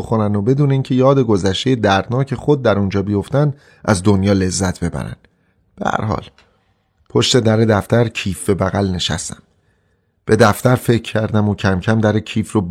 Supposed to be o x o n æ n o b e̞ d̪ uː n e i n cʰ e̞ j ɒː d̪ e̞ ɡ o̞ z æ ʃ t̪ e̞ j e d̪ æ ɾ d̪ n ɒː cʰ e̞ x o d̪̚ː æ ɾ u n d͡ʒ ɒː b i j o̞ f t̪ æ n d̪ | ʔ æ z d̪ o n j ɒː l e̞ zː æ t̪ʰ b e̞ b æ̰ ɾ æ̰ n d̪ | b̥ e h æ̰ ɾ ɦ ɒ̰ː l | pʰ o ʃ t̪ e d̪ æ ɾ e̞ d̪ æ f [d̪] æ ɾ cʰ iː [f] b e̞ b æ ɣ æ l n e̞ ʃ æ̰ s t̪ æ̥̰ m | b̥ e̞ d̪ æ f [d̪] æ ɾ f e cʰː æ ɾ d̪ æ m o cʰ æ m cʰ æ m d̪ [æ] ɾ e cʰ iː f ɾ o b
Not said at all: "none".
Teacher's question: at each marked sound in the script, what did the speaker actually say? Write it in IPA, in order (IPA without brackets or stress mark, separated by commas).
t̪, f, t̪, æ